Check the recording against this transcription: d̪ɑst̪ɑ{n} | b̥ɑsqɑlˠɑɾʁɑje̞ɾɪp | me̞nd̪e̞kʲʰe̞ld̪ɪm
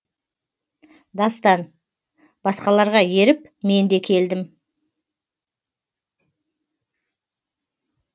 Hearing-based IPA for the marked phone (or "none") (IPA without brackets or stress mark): n